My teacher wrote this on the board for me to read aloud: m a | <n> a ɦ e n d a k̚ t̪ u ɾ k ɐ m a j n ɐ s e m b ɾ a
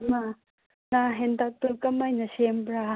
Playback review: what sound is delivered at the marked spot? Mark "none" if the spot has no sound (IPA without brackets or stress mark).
n